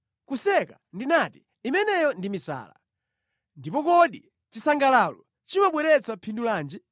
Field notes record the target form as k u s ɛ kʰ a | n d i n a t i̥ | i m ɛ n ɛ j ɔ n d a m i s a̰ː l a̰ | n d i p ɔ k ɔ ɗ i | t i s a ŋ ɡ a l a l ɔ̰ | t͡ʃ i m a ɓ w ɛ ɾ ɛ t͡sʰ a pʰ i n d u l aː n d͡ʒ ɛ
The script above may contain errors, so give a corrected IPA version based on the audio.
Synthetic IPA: k u s ɛ k a | n d i n a t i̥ | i m ɛ n ɛ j ɔ n d i m i s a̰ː l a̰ | n d i p ɔ k ɔ ɗ i | t͡ʃ i s a ŋ ɡ a l a l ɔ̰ | t͡ʃ i m a ɓ w ɛ ɾ ɛ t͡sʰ a pʰ i n d u l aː n d͡ʒ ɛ